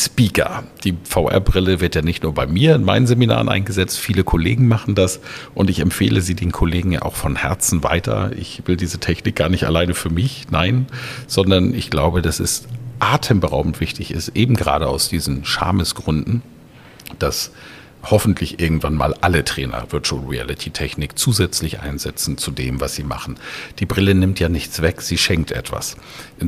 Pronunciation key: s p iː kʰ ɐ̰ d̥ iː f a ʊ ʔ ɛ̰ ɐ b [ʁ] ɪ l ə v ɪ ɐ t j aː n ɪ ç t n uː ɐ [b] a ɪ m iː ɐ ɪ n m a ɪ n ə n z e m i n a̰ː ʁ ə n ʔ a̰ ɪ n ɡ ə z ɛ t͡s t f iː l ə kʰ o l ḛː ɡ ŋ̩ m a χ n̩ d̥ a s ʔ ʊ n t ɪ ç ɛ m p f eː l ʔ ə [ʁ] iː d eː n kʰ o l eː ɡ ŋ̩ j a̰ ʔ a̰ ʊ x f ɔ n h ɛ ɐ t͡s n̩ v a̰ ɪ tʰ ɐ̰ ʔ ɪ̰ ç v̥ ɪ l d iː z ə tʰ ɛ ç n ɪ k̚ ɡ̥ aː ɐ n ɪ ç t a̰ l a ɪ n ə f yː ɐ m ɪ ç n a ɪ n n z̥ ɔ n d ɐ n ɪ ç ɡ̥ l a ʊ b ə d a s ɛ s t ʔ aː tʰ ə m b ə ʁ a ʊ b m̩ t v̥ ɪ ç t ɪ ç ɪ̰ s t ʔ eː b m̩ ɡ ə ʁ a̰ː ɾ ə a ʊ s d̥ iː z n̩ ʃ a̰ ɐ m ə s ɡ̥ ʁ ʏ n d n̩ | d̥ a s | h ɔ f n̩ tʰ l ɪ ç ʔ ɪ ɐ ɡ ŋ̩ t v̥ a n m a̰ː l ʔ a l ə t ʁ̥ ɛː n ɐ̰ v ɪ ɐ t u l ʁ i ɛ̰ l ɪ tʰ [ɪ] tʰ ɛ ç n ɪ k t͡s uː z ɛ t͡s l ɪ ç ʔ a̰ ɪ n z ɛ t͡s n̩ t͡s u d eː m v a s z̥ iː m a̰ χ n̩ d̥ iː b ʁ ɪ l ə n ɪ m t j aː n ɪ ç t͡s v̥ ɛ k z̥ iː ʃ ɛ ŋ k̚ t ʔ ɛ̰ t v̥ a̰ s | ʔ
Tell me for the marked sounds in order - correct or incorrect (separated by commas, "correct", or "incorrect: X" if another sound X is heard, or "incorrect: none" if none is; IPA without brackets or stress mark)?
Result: correct, correct, incorrect: z, incorrect: i